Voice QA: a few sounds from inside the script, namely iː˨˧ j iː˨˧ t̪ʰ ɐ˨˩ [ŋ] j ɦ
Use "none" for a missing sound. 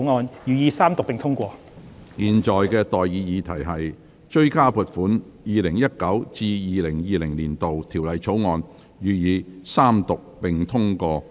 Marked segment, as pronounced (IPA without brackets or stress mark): none